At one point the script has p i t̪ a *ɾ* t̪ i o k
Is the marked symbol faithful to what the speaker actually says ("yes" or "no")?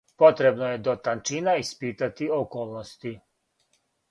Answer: no